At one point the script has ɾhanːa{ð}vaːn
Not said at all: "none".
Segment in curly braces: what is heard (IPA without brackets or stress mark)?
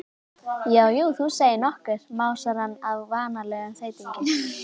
v